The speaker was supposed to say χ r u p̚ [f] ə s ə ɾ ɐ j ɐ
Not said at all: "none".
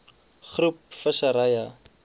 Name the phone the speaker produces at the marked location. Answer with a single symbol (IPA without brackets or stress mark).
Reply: f